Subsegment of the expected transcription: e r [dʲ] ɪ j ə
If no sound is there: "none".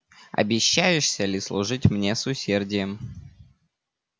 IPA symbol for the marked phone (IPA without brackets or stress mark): dʲ